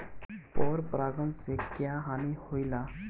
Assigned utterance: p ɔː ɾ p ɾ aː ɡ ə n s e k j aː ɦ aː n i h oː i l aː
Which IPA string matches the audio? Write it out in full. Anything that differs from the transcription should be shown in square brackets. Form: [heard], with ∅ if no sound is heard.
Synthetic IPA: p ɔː ɾ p ɾ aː ɡ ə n s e k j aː ɦ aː n i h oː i l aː